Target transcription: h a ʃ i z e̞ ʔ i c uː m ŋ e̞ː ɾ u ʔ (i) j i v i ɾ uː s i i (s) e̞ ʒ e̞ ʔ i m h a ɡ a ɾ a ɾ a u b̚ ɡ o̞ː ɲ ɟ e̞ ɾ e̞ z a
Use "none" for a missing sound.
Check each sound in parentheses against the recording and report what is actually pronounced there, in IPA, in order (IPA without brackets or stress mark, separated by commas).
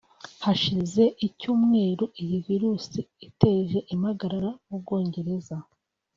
i, t